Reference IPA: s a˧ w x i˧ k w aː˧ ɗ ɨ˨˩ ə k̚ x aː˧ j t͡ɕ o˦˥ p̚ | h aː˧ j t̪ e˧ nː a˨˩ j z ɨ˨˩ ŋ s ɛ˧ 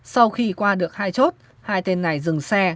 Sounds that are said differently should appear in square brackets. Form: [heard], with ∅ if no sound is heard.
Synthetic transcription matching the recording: s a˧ w x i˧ k w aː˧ ɗ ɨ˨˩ ə k̚ [h] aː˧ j t͡ɕ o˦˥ [t̚] | h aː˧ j t̪ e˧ nː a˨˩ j z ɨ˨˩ ŋ s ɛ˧